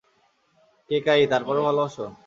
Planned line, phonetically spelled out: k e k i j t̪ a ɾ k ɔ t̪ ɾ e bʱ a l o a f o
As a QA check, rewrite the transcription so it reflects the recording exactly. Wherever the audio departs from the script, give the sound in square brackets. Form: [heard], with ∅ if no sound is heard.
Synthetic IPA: k e k [a] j t̪ a ɾ [p] ɔ [∅] ɾ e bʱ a l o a [ʃ] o